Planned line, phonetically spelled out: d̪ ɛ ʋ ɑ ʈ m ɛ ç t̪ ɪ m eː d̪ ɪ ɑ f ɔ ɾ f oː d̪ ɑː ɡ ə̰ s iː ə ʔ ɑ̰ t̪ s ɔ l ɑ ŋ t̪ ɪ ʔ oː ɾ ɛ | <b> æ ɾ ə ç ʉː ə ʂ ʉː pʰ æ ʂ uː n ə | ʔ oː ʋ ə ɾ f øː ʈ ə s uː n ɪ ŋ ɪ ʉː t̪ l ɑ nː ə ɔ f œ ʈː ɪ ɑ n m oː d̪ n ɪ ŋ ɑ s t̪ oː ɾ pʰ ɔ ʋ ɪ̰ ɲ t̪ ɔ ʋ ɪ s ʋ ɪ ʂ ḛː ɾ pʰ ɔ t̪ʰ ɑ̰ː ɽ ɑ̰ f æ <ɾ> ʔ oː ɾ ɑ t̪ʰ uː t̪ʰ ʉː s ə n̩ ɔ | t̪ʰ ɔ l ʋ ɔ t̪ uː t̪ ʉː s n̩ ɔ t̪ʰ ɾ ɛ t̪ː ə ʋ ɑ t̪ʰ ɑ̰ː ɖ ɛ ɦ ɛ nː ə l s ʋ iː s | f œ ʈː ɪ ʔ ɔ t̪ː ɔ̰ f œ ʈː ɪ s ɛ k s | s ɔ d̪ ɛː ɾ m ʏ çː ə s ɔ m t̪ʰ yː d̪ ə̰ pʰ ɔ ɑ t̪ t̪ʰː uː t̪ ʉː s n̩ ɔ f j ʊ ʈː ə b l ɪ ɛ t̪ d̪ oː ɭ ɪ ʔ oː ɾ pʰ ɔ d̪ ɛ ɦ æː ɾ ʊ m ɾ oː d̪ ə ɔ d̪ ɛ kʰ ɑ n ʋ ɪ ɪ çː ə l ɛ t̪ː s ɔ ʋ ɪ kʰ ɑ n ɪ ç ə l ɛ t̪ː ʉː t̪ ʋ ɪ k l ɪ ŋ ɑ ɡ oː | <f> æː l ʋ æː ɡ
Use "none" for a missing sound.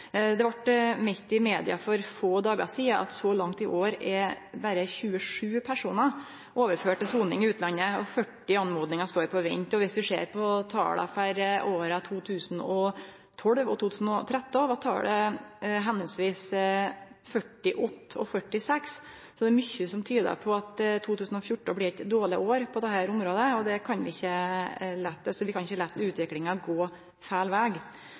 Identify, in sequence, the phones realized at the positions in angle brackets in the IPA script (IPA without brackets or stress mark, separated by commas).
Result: b, ɾ, f